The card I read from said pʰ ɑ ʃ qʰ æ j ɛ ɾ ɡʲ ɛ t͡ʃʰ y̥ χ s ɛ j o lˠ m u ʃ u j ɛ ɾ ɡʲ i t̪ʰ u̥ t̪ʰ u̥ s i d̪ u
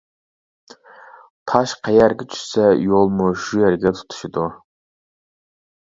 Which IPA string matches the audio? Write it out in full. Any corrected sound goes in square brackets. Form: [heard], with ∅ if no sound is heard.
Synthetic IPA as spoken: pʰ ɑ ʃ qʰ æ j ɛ ɾ ɡʲ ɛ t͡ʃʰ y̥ [ʃ] s ɛ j o lˠ m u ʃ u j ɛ ɾ ɡʲ [ɛ] t̪ʰ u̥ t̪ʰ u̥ [ʃ] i d̪ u